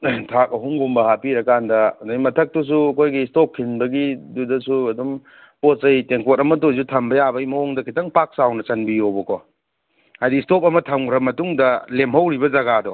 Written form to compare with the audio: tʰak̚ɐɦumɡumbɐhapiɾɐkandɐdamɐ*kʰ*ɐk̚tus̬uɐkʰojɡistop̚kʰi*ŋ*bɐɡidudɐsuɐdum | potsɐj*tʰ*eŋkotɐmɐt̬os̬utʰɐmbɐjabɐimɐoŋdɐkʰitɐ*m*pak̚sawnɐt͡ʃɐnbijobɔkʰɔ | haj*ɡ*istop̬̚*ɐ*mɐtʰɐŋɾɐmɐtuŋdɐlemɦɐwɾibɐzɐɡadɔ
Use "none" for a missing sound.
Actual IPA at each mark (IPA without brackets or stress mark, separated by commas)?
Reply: tʰ, n, t, ŋ, d, ɐ